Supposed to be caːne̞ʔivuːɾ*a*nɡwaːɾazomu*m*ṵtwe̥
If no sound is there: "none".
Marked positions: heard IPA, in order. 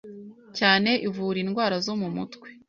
i, m

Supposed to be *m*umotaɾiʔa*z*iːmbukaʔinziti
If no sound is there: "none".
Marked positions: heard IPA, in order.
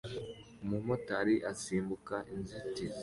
m, s

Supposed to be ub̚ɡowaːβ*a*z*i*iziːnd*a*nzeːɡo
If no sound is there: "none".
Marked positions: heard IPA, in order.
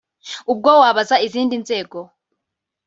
a, a, i

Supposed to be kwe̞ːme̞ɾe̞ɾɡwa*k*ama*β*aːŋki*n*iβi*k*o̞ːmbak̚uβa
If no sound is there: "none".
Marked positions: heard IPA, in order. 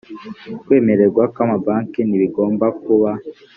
k, b, n, ɡ

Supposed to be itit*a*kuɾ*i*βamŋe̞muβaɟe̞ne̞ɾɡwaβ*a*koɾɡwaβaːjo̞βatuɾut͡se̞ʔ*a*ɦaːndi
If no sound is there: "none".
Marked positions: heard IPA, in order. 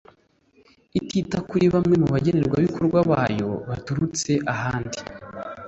a, i, i, a

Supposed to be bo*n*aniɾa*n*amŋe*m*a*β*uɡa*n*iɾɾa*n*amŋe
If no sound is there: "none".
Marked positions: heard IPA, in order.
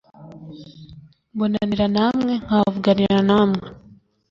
n, n, ŋ, v, n, n

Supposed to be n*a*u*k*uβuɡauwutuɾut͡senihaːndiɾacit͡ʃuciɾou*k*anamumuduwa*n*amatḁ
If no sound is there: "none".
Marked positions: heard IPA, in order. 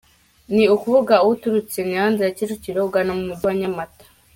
i, k, ɡ, ɲ

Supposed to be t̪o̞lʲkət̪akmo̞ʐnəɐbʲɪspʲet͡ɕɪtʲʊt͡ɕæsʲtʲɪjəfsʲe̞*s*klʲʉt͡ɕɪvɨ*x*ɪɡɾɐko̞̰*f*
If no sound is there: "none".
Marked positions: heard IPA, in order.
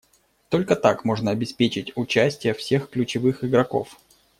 x, x, f

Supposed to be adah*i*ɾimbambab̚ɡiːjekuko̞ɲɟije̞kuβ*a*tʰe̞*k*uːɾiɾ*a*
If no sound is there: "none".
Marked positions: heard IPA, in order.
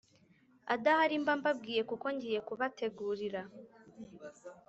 a, a, ɡ, a

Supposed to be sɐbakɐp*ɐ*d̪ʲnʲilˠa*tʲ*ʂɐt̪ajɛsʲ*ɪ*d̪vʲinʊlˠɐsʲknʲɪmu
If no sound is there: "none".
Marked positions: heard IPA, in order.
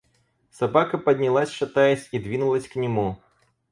ɐ, sʲ, i

